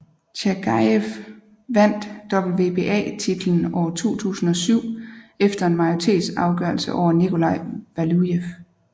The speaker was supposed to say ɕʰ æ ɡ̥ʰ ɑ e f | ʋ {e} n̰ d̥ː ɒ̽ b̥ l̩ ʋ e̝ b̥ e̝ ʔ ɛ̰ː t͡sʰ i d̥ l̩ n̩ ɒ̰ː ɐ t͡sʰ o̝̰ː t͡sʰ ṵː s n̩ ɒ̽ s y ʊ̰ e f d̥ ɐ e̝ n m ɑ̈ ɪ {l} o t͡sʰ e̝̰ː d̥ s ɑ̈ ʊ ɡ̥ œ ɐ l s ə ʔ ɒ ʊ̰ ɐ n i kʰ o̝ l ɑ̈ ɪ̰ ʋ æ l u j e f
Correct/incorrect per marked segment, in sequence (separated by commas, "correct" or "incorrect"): incorrect, incorrect